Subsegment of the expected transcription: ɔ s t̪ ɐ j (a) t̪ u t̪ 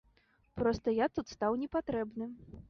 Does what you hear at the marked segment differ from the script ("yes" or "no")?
no